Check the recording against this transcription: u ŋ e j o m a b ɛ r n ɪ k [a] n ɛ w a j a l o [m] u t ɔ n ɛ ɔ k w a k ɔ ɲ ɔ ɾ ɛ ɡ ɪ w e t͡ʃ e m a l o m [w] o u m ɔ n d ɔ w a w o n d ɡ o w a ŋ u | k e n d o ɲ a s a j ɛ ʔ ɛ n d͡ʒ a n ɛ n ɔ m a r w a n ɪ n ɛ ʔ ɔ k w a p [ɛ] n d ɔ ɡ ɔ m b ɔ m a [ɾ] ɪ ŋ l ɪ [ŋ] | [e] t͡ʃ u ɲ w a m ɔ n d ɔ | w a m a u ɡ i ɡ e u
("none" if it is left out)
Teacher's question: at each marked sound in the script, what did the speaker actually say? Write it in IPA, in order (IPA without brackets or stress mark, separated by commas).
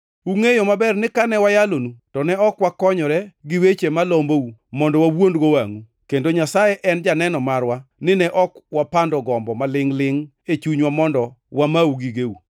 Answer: a, n, b, a, l, ŋ, e